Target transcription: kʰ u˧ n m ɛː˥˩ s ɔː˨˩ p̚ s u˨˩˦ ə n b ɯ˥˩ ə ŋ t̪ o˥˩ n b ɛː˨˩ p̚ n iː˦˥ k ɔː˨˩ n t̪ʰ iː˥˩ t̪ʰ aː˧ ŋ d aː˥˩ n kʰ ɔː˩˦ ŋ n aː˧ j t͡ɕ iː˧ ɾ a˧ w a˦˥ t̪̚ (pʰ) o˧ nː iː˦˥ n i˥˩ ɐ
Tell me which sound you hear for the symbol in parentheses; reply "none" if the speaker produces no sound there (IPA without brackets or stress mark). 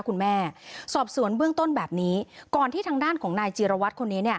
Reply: kʰ